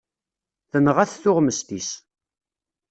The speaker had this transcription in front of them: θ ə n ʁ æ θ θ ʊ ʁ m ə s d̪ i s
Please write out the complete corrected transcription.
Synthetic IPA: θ ə n ʁ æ θ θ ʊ ʁ m ə s t̪ i s